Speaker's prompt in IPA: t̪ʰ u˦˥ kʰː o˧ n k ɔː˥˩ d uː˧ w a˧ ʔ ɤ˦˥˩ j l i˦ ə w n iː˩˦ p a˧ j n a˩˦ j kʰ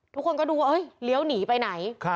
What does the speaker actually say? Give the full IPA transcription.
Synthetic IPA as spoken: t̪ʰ u˦˥ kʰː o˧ n k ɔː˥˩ d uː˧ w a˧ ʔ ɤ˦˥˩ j l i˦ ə w n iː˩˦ p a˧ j n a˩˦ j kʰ